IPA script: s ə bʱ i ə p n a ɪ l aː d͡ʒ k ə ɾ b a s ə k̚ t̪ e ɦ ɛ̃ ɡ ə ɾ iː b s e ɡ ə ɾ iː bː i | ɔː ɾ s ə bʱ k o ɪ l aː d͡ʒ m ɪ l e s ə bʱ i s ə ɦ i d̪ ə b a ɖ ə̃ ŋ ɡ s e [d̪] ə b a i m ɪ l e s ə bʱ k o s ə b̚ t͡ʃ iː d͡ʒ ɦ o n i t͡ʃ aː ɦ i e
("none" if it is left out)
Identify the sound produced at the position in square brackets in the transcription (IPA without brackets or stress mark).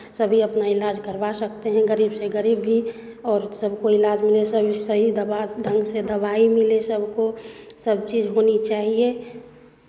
d̪